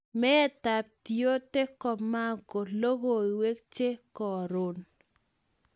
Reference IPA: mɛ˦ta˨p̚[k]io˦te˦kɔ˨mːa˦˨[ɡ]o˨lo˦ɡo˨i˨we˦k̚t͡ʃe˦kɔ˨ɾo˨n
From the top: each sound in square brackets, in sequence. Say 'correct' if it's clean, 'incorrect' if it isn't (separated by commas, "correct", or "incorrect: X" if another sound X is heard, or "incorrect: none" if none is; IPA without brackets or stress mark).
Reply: incorrect: t, correct